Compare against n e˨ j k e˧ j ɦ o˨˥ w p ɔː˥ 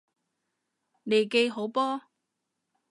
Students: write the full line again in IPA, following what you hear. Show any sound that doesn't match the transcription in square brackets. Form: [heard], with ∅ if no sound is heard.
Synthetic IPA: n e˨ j k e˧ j ɦ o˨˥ w p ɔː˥